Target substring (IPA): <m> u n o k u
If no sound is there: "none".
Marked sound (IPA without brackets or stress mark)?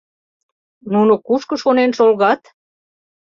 n